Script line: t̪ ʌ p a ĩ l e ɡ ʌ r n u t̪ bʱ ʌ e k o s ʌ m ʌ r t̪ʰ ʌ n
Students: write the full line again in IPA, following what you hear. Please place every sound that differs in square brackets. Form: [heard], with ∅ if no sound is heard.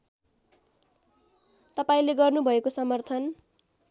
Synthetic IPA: t̪ ʌ p a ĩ l e ɡ ʌ r n u [∅] bʱ ʌ e k o s ʌ m ʌ r t̪ʰ ʌ n